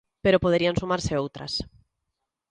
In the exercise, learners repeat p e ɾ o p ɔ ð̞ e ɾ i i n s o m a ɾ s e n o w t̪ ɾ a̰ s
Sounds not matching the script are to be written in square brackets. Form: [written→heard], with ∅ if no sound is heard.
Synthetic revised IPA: p e ɾ o p [ɔ→o] ð̞ e ɾ i [i→a] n s [o→u] m a ɾ s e [n→∅] o w t̪ ɾ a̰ s